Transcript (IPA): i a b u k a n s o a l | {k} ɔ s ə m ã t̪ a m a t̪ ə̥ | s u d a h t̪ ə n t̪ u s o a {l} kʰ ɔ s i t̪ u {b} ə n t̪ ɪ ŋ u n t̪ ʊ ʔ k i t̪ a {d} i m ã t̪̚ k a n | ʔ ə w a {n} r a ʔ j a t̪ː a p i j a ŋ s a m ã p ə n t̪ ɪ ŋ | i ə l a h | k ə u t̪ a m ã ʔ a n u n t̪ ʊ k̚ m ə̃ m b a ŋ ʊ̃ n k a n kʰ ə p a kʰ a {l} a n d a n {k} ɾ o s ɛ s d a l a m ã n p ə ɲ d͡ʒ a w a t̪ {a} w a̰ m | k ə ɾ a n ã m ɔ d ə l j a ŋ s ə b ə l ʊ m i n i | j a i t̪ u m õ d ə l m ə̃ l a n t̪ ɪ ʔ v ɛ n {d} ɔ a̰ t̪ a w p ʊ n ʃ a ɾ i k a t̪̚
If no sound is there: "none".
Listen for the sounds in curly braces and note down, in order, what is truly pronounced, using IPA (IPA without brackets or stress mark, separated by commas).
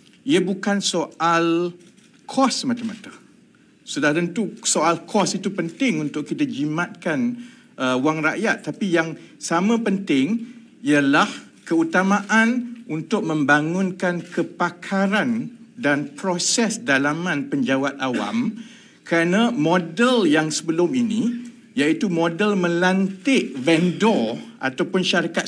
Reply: kʰ, l, p, d͡ʒ, ŋ, ɾ, p, a, d